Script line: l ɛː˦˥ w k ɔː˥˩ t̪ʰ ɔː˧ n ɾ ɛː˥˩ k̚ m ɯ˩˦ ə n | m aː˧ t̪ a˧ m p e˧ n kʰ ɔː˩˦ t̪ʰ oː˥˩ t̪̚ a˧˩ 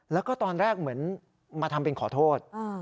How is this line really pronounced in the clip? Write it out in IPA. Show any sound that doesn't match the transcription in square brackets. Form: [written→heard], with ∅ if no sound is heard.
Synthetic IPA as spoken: l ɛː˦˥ w k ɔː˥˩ [t̪ʰ→t̪] ɔː˧ n ɾ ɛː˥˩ k̚ m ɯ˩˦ ə n | m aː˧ [t̪→t̪ʰ] a˧ m p e˧ n kʰ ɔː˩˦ t̪ʰ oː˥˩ t̪̚ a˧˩